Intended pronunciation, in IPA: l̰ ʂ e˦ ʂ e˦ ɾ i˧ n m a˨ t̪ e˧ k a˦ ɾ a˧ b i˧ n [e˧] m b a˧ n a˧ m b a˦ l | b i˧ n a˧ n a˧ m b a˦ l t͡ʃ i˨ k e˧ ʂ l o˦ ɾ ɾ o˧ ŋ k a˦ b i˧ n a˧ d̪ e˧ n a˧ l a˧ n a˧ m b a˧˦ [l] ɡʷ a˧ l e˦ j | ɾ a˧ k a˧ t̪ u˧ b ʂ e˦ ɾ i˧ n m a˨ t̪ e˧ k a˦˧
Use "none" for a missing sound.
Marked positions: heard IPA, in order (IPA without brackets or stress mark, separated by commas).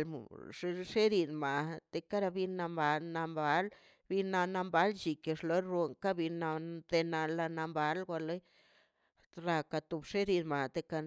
a˧, l